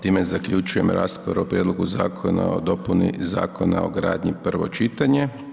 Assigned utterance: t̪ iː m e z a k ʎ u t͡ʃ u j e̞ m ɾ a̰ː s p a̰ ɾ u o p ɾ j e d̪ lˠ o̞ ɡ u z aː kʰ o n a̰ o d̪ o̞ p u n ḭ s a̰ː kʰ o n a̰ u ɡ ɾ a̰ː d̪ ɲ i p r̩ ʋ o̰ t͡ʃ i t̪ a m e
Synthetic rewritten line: t̪ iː m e z a k ʎ u t͡ʃ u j e̞ m ɾ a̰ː s p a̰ ɾ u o p ɾ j e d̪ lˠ o̞ ɡ u z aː kʰ o n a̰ o d̪ o̞ p u n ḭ z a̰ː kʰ o n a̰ o ɡ ɾ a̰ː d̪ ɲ i p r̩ ʋ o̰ t͡ʃ i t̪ a ɲ e